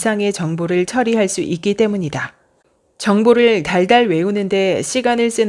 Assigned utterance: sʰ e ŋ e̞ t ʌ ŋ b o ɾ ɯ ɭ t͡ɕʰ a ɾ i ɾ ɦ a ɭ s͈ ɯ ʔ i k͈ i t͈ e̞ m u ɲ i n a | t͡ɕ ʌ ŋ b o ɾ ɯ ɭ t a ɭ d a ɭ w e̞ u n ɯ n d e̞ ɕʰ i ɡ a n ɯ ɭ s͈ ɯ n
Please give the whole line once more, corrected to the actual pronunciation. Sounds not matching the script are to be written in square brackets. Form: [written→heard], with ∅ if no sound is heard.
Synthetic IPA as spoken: sʰ [e→a] ŋ e̞ [t→t͡ɕ] ʌ ŋ b o ɾ ɯ ɭ t͡ɕʰ [a→ʌ] ɾ i [ɾ→∅] ɦ a ɭ s͈ [ɯ→u] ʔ i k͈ i t͈ e̞ m u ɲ i [n→d] a | t͡ɕ ʌ ŋ b o ɾ ɯ ɭ t a ɭ d a ɭ w e̞ u n ɯ n d e̞ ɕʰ i ɡ a n ɯ ɭ s͈ ɯ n